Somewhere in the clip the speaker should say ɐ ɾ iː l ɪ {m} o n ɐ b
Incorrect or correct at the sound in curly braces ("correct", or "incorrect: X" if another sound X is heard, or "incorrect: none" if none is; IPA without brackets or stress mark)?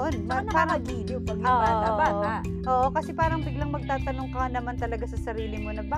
correct